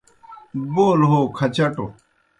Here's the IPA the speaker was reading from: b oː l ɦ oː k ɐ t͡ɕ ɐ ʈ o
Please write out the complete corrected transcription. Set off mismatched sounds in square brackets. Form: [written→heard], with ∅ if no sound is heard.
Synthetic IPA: b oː l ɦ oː [k→kʰ] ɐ t͡ɕ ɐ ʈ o